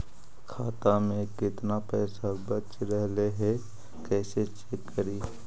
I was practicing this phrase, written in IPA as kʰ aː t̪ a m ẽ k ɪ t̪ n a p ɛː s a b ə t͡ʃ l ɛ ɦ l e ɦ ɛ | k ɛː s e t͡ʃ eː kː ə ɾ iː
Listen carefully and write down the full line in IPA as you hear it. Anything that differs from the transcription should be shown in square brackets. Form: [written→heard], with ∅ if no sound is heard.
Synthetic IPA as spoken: kʰ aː t̪ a m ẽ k ɪ t̪ n a p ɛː s a b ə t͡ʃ [l→ɾ] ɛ ɦ l e ɦ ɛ | k ɛː s e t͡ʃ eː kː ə ɾ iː